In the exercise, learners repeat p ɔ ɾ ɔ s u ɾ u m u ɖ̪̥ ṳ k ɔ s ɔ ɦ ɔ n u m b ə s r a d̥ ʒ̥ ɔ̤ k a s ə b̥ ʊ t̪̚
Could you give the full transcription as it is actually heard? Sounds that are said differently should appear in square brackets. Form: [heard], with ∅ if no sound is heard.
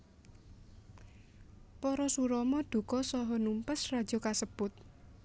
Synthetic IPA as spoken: p ɔ ɾ ɔ s u ɾ [ɔ] m [ɔ] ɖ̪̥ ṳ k ɔ s ɔ ɦ ɔ n u m [p] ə s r a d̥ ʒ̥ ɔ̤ k a s ə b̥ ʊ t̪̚